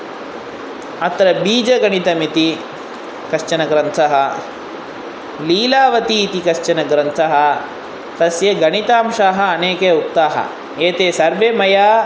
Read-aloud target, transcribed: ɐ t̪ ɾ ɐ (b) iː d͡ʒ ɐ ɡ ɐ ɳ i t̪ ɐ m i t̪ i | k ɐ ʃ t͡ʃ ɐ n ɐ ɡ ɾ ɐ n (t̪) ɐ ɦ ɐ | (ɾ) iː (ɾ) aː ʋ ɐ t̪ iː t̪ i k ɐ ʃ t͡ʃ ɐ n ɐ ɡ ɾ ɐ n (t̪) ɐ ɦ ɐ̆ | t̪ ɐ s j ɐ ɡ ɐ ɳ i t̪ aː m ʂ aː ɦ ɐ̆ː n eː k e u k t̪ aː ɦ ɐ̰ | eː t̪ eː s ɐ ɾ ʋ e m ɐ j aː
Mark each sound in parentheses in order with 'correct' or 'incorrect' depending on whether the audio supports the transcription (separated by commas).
correct, incorrect, incorrect, incorrect, incorrect